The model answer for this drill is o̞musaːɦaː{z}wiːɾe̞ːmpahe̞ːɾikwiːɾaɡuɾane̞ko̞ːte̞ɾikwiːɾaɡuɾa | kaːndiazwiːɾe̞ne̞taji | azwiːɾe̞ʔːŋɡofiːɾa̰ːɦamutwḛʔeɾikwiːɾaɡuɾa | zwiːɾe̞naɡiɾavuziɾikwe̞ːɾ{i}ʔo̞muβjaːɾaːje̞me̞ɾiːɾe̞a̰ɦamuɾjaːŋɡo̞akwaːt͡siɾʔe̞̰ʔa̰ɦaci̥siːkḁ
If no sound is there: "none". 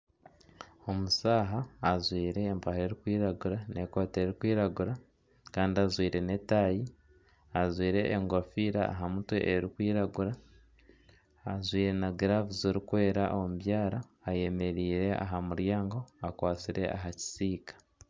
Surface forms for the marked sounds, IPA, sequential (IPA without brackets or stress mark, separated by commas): z, a